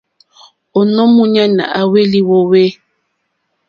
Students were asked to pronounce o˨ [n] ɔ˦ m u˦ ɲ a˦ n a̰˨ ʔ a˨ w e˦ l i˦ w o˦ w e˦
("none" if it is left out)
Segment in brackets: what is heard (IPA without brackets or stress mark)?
n